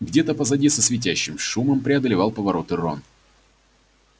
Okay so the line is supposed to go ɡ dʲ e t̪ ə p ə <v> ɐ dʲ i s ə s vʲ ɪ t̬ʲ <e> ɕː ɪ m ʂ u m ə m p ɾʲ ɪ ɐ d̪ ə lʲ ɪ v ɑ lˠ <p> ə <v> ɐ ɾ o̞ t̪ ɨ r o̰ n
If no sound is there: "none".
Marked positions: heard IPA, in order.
z, æ, p, v

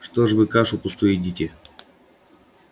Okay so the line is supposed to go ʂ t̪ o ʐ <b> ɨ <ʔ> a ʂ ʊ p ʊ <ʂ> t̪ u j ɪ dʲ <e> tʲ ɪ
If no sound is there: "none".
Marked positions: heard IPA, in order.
v, k, s, i

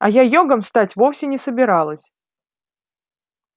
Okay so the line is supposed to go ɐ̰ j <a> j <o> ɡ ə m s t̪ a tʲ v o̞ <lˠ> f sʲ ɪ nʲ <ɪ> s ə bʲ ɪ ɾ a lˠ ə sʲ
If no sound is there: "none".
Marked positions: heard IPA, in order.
a, o, none, ɪ

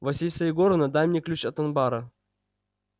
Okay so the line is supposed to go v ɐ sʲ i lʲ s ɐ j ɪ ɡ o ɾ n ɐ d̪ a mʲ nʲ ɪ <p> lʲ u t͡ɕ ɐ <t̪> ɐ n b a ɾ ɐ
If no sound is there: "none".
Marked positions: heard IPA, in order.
k, t̪

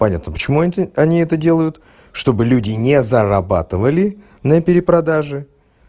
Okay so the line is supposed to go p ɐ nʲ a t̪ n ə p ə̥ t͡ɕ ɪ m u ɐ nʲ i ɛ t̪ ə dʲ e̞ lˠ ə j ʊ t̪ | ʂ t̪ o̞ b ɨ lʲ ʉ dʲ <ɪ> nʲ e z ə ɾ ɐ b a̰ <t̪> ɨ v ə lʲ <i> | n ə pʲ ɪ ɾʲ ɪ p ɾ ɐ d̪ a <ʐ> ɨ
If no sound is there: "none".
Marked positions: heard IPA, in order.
ɪ, t̪, ɪ, ʐ

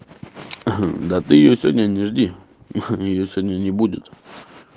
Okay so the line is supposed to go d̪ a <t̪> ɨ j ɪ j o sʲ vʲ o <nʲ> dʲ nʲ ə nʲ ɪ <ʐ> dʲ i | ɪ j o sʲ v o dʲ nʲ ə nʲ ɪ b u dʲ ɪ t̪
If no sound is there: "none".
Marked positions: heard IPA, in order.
t̪, none, ʐ

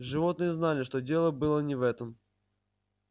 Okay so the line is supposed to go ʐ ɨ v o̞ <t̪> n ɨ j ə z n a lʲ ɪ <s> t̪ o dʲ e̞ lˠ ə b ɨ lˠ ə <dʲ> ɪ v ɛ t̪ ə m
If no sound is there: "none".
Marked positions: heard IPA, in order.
t̪, ʂ, nʲ

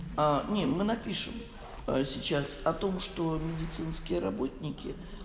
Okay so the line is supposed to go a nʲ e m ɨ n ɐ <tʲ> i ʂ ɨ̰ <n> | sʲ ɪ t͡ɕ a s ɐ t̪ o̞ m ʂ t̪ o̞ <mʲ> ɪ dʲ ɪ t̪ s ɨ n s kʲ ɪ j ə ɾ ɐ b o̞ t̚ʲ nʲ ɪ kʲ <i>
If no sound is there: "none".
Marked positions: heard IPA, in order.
pʲ, m, mʲ, ɪ

